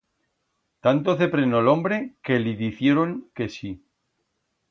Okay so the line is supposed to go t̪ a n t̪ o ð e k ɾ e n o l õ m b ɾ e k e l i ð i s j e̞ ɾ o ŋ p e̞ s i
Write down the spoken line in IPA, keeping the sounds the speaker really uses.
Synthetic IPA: t̪ a n t̪ o θ e p ɾ e n o l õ m b ɾ e k e l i ð i θ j e̞ ɾ o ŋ k e̞ s i